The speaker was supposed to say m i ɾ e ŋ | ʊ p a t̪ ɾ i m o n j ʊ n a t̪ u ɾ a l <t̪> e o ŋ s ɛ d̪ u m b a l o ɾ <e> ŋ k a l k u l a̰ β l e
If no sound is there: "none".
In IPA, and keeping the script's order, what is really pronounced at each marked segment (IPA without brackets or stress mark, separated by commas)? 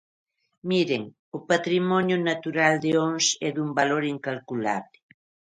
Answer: d̪, i